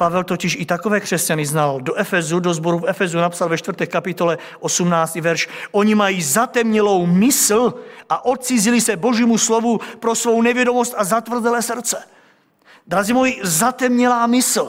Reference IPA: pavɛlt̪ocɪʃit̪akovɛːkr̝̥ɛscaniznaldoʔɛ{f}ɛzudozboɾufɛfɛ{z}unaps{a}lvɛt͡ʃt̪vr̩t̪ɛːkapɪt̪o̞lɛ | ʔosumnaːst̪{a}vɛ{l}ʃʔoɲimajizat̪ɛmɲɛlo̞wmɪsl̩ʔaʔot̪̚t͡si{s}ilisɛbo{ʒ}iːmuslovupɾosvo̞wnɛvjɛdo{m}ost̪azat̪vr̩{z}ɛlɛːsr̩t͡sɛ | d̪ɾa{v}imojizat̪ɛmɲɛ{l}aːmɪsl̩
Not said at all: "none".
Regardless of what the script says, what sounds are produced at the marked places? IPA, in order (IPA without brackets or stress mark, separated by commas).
f, z, a, i, ɾ, z, ʒ, m, z, z, l